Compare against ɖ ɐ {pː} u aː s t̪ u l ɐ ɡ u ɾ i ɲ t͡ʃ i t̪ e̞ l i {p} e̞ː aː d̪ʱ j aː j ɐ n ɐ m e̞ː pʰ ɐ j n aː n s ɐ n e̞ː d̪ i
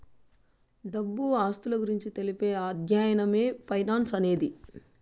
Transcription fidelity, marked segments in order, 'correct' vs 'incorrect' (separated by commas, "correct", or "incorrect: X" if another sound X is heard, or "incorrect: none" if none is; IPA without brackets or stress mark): incorrect: bː, correct